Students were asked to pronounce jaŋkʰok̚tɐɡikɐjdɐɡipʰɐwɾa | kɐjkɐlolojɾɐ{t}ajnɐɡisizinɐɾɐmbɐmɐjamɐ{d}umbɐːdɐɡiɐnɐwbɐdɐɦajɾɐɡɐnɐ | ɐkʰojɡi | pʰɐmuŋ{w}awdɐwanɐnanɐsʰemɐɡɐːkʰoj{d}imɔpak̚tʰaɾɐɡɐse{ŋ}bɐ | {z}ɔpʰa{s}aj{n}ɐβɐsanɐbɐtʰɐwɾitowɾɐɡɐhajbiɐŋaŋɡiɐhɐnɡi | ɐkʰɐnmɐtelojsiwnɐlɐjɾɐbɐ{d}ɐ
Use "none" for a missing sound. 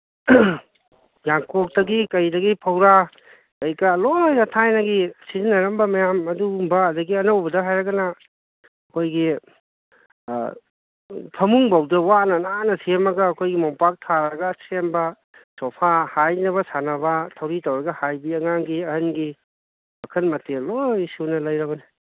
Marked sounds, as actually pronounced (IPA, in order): tʰ, d, b, ɡ, m, s, h, n, n

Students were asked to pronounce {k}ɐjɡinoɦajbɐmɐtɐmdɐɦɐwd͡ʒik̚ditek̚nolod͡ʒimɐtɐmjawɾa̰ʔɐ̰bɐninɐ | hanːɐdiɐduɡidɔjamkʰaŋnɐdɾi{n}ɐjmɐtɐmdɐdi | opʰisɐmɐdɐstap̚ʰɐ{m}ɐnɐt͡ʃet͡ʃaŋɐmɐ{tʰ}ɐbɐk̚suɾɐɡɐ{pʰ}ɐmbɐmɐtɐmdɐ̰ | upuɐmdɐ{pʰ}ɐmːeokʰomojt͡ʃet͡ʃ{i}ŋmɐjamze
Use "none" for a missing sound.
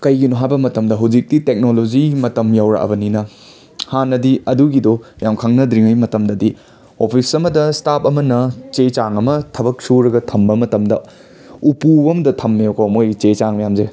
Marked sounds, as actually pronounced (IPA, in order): k, ŋ, m, tʰ, tʰ, tʰ, a

